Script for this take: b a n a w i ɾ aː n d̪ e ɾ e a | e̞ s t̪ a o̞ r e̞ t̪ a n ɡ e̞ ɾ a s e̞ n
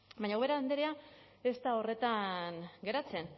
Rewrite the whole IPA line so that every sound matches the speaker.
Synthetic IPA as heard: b a ɲ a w e ɾ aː n d̪ e ɾ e a | e̞ s t̪ a o̞ r e̞ t̪ a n ɡ e̞ ɾ a t͡s e̞ n